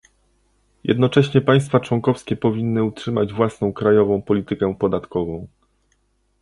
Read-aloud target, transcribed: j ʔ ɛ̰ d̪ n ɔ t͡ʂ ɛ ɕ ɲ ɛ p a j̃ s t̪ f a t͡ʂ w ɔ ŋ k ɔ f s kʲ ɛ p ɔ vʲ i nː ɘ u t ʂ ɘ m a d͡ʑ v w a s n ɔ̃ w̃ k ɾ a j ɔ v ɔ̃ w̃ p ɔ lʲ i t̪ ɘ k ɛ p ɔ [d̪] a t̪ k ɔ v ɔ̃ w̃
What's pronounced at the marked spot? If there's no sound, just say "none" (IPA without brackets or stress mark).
d̪